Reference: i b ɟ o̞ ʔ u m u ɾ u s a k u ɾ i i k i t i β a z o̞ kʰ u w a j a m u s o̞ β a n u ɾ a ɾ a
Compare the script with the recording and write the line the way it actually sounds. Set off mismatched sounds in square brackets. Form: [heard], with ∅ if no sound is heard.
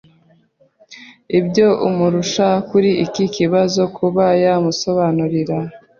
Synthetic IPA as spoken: i b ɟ o̞ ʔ u m u ɾ u [ʃ] a k u ɾ i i k i [k] i β a z o̞ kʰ u [β] a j a m u s o̞ β a n u ɾ [i] ɾ a